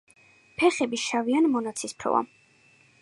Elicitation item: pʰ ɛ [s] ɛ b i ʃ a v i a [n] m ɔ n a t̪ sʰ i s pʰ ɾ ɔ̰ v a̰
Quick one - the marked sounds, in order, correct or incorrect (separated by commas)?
incorrect, correct